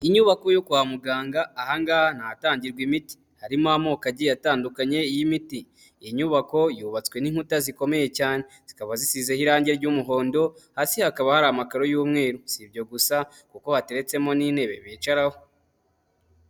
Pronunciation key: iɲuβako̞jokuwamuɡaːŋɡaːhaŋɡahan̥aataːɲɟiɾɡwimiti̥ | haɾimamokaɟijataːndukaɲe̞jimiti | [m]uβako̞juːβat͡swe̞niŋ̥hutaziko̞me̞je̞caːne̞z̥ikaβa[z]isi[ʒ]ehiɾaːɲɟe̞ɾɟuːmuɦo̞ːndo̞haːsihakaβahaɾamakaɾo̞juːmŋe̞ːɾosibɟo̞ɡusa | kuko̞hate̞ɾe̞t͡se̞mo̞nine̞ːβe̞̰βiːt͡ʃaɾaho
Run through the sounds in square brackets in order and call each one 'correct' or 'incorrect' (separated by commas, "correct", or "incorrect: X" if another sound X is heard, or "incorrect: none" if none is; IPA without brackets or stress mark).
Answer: incorrect: ɲ, correct, incorrect: z